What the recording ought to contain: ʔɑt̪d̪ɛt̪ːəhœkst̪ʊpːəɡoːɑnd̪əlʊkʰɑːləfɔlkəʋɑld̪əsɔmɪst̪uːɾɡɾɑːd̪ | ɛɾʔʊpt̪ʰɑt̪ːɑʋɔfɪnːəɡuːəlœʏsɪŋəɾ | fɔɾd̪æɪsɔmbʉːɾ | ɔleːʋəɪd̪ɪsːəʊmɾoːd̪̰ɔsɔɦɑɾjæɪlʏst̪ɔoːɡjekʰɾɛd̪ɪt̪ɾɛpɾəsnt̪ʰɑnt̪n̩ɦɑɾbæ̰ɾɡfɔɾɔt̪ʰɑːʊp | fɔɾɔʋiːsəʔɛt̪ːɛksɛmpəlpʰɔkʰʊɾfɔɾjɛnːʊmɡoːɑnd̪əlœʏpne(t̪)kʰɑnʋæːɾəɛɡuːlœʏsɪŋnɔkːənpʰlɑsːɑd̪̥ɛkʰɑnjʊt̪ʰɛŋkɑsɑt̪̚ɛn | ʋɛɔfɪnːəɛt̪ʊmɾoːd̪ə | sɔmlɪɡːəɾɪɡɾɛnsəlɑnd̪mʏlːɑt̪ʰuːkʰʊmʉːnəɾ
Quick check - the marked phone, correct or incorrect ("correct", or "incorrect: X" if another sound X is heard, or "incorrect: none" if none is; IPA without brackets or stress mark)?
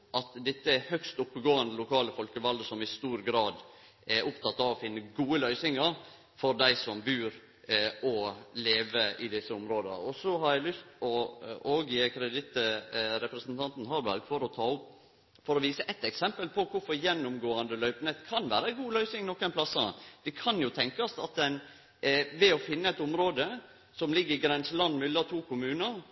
correct